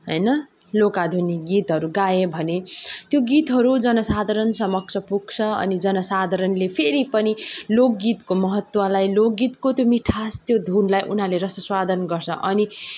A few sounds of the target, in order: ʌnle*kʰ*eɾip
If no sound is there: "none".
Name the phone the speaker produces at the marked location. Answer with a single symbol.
pʰ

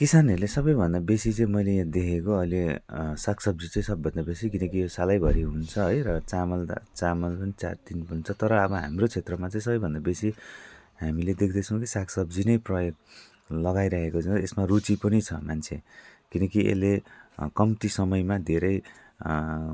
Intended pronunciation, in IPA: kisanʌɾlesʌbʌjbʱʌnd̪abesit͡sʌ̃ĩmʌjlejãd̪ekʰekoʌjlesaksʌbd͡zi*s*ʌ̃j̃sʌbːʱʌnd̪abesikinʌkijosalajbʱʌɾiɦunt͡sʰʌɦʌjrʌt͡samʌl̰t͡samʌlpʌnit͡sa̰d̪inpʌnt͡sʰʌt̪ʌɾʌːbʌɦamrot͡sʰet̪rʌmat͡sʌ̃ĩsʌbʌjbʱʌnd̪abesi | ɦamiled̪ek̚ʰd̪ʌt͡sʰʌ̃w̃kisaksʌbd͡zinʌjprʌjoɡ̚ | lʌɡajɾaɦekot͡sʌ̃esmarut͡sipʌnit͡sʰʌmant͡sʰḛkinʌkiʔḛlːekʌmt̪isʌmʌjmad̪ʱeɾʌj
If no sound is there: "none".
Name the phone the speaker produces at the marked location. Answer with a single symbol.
t͡s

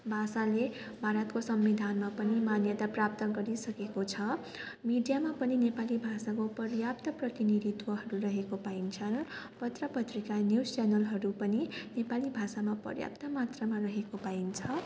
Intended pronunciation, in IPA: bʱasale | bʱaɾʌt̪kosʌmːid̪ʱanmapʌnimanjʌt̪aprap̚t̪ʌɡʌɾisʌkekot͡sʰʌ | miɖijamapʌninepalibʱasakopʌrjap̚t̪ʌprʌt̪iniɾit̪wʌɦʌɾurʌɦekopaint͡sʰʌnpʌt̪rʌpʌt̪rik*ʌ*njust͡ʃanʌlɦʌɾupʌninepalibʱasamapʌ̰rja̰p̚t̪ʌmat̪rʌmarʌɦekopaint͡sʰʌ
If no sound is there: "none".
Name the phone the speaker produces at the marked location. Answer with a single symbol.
a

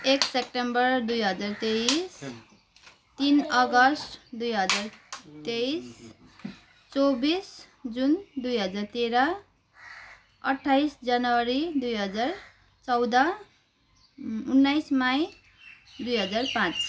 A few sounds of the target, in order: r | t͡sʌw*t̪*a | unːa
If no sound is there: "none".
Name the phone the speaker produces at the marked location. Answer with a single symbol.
d̪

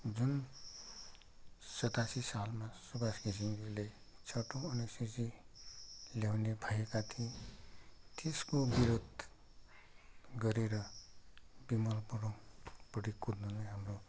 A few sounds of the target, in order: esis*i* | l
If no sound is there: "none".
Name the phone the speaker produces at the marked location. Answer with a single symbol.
i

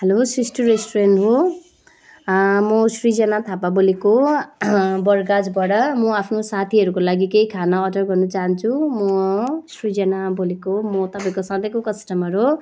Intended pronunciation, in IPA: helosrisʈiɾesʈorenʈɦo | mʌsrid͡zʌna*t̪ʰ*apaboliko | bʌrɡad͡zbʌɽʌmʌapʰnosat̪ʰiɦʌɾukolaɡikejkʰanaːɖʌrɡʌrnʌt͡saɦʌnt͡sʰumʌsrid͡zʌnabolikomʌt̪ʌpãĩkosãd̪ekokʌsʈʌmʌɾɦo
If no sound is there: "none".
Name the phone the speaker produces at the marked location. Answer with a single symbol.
t̪ʰ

